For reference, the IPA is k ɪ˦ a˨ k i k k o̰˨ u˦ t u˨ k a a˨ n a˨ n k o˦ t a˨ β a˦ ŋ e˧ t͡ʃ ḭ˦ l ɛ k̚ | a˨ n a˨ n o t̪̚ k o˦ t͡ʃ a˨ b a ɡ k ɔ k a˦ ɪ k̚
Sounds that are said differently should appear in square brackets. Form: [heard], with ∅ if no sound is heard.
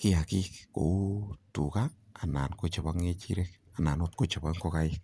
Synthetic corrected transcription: k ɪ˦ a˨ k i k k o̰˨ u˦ t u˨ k a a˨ n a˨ n k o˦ [t͡ʃ] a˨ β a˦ ŋ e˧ t͡ʃ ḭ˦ [ɾ] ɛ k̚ | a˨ n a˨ n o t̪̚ k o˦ t͡ʃ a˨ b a [ŋ] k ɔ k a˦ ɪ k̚